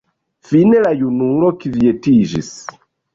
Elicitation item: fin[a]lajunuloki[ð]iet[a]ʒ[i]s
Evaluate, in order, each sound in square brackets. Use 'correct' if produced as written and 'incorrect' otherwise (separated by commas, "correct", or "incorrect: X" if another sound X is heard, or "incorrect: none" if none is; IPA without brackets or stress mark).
incorrect: e, incorrect: v, incorrect: i, correct